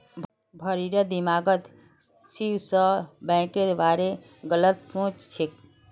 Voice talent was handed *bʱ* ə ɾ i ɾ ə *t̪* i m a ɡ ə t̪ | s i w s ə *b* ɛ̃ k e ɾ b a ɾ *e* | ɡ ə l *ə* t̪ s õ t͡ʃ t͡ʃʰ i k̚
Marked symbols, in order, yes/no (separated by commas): yes, no, yes, yes, yes